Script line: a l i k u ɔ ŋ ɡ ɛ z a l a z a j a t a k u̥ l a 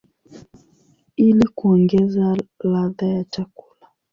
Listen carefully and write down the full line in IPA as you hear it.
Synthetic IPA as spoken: i l i k u ɔ ŋ ɡ ɛ z a l a ð a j a t͡ʃ a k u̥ l a